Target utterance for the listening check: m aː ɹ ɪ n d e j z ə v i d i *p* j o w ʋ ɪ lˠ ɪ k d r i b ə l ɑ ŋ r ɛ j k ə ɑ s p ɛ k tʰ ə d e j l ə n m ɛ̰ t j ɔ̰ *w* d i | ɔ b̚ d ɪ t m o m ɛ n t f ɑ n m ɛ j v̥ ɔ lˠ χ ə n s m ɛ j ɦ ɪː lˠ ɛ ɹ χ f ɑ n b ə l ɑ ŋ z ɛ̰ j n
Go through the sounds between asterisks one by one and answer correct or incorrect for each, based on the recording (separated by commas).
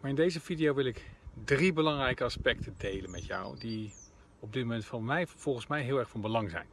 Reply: incorrect, correct